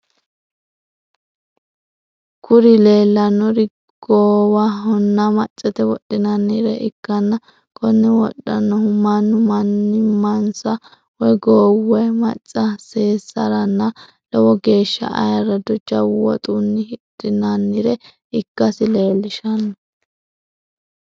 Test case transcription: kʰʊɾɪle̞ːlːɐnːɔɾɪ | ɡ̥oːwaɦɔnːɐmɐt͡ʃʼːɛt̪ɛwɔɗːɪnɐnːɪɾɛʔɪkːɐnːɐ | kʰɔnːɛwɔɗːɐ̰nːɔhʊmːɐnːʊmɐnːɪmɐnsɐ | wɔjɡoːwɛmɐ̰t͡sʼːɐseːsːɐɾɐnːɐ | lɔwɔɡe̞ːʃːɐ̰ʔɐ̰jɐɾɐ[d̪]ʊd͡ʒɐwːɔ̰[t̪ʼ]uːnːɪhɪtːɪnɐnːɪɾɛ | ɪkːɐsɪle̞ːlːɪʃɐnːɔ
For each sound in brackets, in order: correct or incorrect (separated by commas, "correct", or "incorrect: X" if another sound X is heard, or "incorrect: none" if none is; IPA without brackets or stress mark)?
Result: correct, correct